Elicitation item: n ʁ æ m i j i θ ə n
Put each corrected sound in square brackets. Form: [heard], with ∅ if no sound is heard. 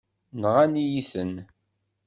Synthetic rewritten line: n ʁ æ [n] i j i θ ə n